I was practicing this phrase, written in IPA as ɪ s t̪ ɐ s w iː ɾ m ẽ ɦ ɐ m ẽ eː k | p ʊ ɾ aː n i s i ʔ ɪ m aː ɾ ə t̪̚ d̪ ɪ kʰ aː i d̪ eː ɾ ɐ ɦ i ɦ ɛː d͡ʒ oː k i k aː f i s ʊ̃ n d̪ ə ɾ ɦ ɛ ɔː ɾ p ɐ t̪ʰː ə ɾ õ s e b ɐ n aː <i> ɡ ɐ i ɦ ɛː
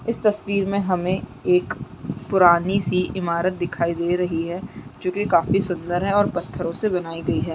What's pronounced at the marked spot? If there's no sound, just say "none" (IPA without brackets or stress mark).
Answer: i